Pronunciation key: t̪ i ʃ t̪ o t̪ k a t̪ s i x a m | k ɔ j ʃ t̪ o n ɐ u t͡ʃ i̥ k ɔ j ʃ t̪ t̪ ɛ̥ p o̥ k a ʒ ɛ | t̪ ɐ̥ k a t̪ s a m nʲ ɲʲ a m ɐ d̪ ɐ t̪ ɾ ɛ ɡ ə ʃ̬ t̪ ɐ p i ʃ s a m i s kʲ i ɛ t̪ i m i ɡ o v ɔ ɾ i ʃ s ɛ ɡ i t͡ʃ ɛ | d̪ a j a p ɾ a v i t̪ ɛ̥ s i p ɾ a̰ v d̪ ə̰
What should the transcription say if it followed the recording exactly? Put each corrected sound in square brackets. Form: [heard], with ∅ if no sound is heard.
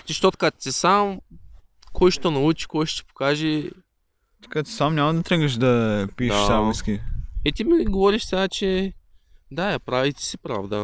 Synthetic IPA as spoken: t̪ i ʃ t̪ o t̪ k a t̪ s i [s] a m | k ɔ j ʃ t̪ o n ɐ u t͡ʃ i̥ k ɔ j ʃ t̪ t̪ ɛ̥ p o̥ k a ʒ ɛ | t̪ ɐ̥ k a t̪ s a m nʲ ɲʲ a m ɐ d̪ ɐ t̪ ɾ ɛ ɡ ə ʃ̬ [d̪] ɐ p i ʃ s a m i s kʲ i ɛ t̪ i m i ɡ o v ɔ ɾ i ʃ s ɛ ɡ [a] t͡ʃ ɛ | d̪ a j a p ɾ a v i t̪ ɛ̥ s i p ɾ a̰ v d̪ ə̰